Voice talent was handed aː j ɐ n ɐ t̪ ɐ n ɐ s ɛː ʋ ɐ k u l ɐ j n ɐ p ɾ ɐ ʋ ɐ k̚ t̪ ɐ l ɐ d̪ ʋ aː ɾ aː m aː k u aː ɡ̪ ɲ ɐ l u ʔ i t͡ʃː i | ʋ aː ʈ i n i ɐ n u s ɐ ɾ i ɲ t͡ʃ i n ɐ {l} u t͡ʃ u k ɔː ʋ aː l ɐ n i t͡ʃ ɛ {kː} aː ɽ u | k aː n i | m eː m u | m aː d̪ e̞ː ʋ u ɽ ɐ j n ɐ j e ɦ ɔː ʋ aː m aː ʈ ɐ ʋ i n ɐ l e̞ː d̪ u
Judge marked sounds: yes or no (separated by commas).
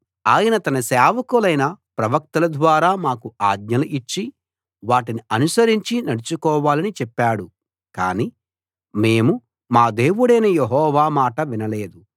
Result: no, no